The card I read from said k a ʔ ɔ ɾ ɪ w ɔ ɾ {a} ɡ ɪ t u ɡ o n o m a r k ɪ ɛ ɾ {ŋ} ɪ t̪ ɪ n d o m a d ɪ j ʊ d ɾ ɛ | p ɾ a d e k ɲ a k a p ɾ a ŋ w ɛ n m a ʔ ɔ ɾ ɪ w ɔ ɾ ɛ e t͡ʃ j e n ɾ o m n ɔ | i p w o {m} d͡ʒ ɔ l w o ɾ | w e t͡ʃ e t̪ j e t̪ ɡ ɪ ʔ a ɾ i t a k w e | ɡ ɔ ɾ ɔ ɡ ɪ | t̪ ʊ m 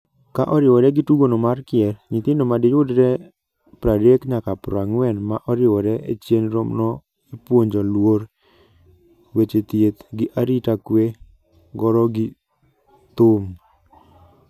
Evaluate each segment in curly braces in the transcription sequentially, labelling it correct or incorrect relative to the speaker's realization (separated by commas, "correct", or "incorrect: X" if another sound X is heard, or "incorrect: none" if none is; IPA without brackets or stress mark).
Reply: incorrect: ɛ, incorrect: ɲ, incorrect: ɲ